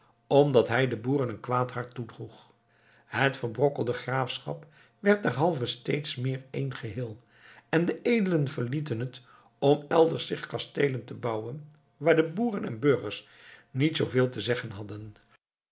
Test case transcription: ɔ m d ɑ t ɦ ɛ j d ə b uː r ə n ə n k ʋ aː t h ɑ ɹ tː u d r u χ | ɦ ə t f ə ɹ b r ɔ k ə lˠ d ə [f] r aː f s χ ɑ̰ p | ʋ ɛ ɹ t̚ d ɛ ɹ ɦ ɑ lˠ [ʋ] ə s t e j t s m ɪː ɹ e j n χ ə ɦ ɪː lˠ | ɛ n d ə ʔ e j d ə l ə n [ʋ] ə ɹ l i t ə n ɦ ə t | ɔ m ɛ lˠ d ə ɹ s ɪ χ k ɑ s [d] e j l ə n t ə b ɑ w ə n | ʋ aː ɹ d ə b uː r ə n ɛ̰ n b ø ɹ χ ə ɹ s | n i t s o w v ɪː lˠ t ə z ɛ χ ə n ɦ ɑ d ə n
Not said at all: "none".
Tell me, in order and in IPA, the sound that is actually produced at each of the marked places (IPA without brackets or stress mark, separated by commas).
χ, v, v, t